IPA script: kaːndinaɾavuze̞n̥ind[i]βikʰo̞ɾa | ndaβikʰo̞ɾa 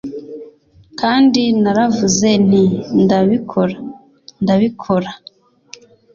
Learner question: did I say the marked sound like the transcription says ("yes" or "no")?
no